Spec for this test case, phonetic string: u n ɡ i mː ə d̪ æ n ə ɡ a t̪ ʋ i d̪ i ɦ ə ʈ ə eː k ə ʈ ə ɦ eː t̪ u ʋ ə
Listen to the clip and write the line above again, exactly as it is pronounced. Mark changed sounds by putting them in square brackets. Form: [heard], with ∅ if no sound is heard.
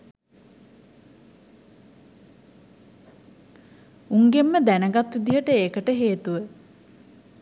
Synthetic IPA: u [ŋ] ɡ [e] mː ə d̪ æ n ə ɡ a t̪ ʋ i d̪ i ɦ ə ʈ ə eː k ə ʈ ə ɦ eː t̪ u ʋ ə